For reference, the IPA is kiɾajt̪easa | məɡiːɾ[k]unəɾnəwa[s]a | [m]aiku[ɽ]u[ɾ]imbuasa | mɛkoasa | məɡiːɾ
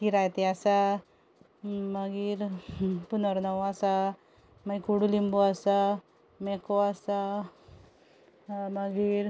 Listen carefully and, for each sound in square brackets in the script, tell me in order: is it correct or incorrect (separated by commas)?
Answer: incorrect, correct, correct, correct, incorrect